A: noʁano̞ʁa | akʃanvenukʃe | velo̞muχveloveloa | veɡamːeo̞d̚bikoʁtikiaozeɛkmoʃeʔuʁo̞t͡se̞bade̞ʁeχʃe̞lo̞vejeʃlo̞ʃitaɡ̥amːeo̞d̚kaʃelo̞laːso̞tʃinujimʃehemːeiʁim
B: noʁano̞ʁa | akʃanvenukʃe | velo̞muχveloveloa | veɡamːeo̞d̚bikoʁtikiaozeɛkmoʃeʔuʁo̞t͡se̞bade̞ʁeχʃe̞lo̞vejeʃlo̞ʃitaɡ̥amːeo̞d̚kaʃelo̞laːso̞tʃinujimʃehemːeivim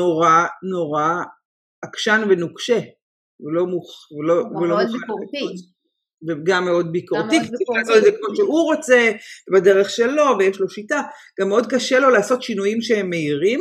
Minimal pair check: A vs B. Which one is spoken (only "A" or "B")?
A